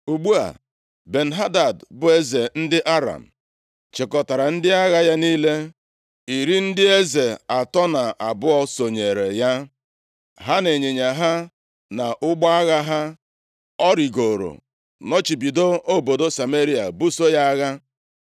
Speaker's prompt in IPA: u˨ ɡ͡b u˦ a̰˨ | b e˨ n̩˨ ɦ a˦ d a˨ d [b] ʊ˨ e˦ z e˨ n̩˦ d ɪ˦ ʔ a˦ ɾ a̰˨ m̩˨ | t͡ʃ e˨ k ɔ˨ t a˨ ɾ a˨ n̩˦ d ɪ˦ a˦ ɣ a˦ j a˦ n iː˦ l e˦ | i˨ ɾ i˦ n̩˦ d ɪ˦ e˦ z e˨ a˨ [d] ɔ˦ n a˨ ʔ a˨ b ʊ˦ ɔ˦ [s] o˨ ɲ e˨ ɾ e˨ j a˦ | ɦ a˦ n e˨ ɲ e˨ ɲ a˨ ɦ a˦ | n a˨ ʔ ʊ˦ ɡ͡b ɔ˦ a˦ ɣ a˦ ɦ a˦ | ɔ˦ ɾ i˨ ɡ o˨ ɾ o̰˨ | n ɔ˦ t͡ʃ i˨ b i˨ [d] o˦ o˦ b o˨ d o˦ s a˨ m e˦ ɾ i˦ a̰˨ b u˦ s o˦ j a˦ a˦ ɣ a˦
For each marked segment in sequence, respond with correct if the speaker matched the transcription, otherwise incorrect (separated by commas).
correct, incorrect, correct, correct